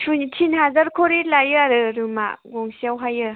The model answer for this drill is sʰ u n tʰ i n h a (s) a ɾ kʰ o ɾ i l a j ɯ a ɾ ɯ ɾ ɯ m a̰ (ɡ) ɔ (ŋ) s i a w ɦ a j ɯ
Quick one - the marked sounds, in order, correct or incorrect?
incorrect: z, correct, correct

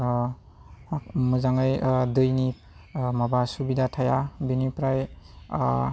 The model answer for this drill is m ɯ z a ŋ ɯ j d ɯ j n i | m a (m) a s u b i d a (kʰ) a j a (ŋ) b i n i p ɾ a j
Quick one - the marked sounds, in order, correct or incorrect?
incorrect: b, incorrect: tʰ, incorrect: none

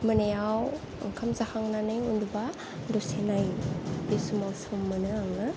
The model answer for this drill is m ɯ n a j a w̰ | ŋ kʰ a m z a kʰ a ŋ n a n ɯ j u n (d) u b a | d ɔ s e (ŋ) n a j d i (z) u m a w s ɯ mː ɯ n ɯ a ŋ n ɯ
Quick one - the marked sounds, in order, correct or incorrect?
correct, incorrect: none, incorrect: s

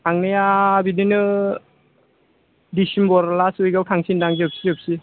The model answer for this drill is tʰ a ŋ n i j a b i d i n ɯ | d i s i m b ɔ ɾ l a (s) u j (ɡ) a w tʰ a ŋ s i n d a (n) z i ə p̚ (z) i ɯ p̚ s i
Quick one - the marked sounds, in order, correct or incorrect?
correct, correct, incorrect: ŋ, incorrect: s

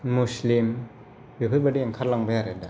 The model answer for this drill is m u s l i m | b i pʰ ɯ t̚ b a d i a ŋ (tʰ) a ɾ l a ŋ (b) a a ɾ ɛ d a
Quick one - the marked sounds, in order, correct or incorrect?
incorrect: kʰ, correct

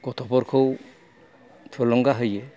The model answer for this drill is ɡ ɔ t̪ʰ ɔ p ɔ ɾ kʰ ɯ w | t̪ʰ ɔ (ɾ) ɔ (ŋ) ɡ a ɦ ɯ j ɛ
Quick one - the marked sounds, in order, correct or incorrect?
incorrect: l, correct

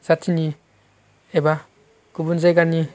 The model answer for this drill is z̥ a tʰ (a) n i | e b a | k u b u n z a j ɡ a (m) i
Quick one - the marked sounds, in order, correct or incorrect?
incorrect: i, incorrect: n

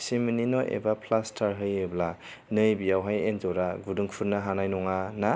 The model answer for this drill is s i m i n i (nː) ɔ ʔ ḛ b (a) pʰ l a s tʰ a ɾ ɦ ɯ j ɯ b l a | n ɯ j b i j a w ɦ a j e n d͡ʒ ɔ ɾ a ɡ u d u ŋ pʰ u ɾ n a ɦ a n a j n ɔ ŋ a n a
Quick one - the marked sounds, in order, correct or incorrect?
incorrect: n, correct

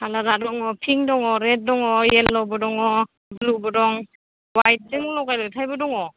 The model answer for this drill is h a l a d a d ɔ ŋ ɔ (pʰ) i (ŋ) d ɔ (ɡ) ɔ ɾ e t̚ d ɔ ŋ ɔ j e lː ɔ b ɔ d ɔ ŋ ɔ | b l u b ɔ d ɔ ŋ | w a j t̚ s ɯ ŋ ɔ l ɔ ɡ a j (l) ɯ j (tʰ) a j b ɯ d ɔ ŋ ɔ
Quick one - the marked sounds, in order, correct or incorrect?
correct, correct, incorrect: ŋ, correct, correct

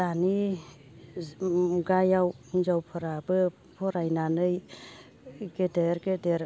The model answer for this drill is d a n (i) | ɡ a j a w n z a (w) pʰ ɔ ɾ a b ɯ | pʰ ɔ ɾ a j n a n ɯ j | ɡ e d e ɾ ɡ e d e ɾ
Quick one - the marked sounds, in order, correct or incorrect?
correct, correct

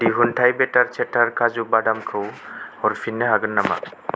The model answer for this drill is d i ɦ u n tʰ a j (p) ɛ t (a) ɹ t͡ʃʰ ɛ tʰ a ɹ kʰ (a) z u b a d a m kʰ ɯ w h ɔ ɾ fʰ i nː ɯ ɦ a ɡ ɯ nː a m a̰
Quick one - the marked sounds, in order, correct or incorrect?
incorrect: b, correct, correct

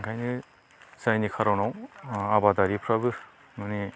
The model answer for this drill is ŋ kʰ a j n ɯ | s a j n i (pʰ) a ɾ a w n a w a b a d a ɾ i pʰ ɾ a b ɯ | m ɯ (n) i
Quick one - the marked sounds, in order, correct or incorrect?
incorrect: kʰ, correct

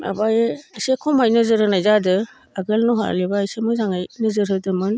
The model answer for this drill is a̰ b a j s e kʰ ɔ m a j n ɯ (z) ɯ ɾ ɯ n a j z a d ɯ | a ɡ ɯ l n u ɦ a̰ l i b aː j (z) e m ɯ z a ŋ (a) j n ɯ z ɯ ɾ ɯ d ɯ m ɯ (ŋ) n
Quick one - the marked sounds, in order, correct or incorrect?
correct, incorrect: s, correct, incorrect: none

